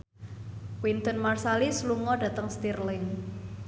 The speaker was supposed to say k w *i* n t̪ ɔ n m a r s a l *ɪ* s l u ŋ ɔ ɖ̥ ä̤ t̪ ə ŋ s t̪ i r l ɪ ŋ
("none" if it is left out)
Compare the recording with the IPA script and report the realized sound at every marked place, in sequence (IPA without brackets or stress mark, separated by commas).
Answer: i, i